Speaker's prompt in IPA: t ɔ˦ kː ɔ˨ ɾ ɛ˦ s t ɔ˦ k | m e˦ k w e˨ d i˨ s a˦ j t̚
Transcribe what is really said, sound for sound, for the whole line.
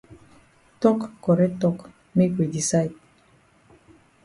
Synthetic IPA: t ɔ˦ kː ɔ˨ ɾ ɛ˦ t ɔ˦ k | m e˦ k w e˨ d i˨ s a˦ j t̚